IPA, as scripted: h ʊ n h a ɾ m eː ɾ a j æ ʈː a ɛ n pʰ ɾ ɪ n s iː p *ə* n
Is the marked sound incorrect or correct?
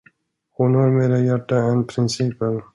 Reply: correct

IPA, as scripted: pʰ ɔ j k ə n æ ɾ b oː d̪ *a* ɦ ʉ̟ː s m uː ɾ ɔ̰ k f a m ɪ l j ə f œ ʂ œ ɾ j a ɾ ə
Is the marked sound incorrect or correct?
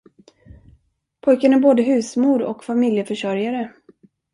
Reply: incorrect: ə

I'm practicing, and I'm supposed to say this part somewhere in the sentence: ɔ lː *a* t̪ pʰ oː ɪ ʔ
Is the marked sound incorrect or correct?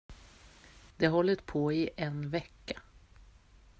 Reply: incorrect: ə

